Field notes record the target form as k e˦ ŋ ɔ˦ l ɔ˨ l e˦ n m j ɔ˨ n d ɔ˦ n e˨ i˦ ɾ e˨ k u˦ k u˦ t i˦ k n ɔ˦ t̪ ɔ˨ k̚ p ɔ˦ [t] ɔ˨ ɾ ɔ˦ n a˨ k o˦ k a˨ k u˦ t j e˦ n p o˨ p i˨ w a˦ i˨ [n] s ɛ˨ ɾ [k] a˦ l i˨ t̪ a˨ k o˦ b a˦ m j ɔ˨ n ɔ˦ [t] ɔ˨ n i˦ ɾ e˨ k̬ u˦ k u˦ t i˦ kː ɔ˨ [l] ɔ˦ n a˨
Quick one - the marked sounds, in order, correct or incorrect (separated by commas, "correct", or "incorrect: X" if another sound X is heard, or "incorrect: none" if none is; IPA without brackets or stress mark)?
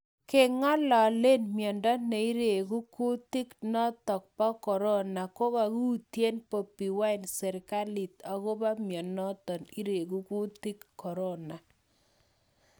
incorrect: k, correct, correct, correct, incorrect: ɾ